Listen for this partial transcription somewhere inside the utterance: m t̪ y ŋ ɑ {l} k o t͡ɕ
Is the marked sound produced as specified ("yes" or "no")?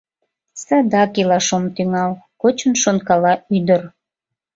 yes